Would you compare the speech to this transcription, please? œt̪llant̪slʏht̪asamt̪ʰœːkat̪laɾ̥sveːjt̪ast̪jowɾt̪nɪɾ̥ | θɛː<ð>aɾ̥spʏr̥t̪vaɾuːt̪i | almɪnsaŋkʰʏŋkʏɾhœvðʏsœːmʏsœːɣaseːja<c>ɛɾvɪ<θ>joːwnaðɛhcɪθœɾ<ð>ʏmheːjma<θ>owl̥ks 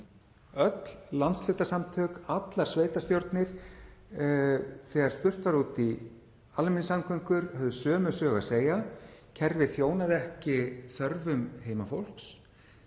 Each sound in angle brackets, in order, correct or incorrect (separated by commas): incorrect, incorrect, correct, incorrect, incorrect